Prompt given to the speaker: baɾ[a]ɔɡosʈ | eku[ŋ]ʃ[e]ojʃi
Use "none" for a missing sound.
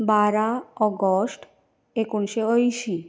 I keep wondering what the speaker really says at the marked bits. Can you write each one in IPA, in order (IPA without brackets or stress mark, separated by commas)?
a, n, e